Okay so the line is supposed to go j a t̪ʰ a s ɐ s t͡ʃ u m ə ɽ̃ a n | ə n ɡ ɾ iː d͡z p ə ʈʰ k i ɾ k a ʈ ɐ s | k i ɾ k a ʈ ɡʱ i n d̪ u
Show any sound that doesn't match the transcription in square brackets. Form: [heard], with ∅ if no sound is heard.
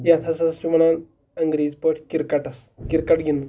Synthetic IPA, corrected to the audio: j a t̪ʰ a s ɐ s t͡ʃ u m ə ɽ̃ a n | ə [ŋ] ɡ ɾ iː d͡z p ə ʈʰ k i ɾ k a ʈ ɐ s | k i ɾ k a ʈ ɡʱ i n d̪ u